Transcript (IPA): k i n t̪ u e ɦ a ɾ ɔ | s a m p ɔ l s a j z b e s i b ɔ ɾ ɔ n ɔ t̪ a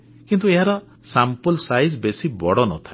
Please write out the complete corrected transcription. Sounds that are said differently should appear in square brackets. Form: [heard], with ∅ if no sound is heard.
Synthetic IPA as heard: k i n t̪ u e ɦ a ɾ ɔ | s a m p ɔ l s a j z b e s i b ɔ [ɽ] ɔ n ɔ [t̪ʰ] a